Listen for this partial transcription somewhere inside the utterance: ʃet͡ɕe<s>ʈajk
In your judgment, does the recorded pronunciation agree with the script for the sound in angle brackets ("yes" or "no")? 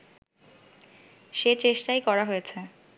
no